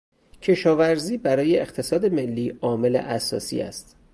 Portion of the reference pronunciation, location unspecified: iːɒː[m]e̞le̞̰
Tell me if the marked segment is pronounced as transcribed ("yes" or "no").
yes